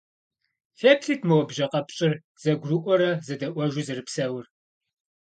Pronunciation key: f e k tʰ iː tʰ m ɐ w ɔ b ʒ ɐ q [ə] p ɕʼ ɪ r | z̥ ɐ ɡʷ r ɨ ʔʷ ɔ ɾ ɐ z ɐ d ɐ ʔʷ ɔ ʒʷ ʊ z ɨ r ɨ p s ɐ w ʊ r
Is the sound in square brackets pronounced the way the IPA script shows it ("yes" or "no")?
no